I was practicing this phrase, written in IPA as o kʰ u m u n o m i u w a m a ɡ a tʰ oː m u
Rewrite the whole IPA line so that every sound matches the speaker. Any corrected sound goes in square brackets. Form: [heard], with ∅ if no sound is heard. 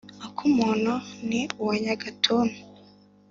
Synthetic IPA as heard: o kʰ u m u n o [n] i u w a [ɲ] a ɡ a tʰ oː [n] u

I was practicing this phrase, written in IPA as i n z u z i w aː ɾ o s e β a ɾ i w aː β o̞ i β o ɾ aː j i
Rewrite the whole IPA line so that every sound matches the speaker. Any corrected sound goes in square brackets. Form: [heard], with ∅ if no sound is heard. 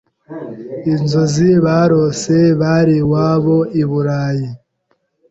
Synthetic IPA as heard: i n z [o] z i [β] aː ɾ o s e β a ɾ i w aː β o̞ i β [u] ɾ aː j i

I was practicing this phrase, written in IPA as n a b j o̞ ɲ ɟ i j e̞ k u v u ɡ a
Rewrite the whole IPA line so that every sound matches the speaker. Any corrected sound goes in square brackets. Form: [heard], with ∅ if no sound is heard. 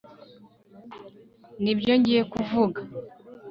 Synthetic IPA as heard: n [i] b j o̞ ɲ ɟ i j e̞ k u v u ɡ a

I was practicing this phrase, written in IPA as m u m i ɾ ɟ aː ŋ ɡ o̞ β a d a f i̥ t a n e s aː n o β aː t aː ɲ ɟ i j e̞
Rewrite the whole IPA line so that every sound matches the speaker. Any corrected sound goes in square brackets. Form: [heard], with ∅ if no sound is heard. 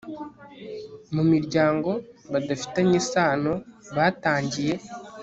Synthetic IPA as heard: m u m i ɾ ɟ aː ŋ ɡ o̞ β a d a f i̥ t a [ɲ] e s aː n o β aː t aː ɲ ɟ i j e̞

